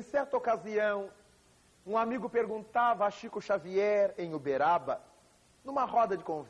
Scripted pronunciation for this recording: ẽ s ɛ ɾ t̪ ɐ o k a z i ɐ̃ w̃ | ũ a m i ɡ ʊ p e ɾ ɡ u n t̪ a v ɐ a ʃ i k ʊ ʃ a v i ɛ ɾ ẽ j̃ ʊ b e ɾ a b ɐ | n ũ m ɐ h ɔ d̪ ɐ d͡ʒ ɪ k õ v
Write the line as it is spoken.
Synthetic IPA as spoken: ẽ s ɛ ɾ t̪ ɐ o k a z i ɐ̃ w̃ | ũ a m i ɡ ʊ p e ɾ ɡ ũ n t̪ a v ɐ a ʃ i k ʊ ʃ a v i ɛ ɾ ẽ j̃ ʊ b e ɾ a b ɐ | n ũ m ɐ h ɔ d̪ ɐ d͡ʒ ɪ k õ v